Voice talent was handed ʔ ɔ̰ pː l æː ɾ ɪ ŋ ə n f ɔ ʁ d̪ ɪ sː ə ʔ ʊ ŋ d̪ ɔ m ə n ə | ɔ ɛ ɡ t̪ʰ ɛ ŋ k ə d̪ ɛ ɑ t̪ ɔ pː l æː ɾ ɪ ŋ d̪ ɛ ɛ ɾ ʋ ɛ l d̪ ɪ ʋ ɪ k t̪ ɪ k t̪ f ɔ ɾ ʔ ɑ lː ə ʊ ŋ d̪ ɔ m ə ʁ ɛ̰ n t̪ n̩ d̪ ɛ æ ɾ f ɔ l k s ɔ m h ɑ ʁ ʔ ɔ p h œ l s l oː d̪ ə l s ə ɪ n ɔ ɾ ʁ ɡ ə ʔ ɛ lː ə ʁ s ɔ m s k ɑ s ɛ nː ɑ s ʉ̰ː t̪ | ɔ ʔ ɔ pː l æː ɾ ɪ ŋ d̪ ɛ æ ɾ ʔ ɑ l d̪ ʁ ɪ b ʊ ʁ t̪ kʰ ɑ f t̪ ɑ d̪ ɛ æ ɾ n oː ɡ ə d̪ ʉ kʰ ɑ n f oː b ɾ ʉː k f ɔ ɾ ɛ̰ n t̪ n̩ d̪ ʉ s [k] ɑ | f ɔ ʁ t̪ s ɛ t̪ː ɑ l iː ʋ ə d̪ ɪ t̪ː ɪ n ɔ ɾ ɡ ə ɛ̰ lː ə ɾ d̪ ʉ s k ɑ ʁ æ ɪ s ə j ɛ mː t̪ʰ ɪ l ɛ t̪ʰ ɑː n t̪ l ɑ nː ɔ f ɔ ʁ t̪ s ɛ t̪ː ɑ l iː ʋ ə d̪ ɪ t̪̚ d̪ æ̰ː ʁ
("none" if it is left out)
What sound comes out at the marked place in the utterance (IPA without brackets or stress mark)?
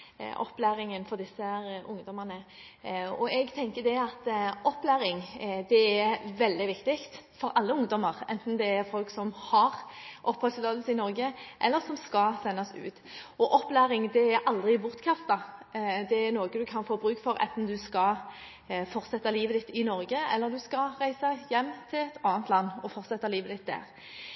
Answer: k